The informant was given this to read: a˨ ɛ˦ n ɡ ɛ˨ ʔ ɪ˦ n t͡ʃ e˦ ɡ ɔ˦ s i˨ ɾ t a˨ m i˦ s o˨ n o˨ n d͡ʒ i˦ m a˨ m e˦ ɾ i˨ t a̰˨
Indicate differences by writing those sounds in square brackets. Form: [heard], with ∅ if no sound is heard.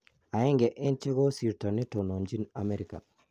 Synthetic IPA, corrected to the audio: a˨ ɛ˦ [ŋ] ɡ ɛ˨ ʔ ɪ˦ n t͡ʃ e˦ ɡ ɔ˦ s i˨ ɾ t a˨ [n] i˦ [t] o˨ n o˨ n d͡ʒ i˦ [n] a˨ m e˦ ɾ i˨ [k] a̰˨